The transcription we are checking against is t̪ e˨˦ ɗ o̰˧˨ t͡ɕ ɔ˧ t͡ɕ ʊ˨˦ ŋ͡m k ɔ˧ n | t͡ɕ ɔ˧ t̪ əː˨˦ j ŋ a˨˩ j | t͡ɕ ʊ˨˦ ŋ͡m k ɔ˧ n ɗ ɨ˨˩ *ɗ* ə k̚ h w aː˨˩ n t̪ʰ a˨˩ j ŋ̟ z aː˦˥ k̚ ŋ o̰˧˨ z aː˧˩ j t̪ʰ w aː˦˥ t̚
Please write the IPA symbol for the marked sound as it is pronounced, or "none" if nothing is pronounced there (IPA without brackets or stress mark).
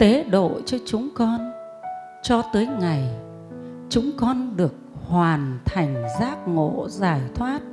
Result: none